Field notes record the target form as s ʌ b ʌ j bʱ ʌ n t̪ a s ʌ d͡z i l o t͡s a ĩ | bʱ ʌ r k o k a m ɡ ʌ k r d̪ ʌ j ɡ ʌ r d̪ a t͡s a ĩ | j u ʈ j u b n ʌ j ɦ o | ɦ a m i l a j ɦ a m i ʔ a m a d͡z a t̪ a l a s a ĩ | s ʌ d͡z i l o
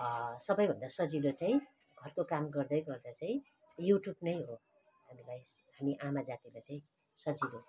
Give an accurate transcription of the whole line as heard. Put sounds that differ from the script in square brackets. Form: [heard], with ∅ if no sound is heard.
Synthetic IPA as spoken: s ʌ b ʌ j bʱ ʌ n [d̪] a s ʌ d͡z i l o t͡s a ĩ | [ɡʱ] ʌ r k o k a m ɡ ʌ [∅] r d̪ ʌ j ɡ ʌ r d̪ a t͡s a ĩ | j u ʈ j u b n ʌ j ɦ o | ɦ a m i l a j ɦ a m i ʔ a m a d͡z a t̪ [i] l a [t͡s] a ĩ | s ʌ d͡z i l o